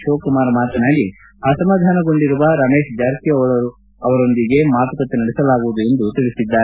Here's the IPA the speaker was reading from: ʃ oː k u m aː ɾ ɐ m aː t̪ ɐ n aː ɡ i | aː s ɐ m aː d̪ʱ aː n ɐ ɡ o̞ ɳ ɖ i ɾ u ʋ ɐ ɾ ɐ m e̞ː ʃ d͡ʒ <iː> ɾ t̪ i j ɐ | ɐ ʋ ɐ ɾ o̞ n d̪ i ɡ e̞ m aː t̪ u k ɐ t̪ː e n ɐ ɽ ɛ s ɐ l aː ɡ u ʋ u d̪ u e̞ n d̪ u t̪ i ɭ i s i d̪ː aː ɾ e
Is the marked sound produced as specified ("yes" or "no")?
no